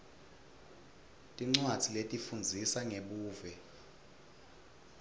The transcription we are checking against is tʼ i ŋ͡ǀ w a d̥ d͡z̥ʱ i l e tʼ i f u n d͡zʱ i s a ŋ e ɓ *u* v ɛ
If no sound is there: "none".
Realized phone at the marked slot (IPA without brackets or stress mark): uː